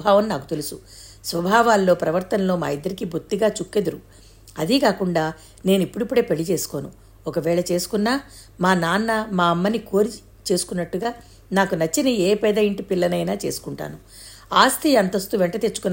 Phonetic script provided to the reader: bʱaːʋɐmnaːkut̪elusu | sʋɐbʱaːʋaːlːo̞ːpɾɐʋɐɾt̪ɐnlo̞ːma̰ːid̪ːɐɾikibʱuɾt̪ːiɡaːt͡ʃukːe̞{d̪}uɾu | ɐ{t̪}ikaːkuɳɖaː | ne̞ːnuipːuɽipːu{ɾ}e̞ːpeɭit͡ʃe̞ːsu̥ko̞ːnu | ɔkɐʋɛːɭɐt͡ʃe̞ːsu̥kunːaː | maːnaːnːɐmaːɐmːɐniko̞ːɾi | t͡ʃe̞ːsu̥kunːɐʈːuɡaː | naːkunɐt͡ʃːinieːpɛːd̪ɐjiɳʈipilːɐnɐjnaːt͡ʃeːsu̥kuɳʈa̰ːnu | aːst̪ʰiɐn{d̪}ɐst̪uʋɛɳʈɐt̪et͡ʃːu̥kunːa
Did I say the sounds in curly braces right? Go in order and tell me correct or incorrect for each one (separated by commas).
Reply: correct, incorrect, incorrect, incorrect